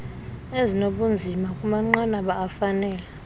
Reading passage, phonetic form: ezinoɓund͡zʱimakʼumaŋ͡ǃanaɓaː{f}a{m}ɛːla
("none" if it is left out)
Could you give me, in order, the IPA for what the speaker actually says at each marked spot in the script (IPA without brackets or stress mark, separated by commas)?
f, n